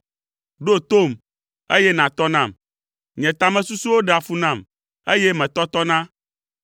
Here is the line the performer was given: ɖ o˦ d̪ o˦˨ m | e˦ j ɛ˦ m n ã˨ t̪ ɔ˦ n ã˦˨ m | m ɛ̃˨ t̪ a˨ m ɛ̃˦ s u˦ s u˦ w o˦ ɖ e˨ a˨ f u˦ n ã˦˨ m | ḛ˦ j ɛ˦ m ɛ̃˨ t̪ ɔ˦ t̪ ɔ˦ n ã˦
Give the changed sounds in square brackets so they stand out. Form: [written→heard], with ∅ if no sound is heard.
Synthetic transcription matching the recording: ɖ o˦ [d̪→t̪] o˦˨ m | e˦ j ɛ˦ [m→∅] n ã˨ t̪ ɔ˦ n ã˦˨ m | [m→ɲ] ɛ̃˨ t̪ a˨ m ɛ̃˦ s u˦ s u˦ w o˦ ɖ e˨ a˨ f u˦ n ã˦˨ m | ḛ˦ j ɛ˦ m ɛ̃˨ t̪ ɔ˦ t̪ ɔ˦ n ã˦